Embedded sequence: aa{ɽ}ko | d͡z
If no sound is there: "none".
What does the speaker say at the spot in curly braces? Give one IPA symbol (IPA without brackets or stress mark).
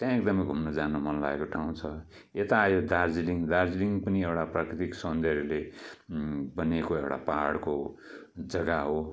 ɽ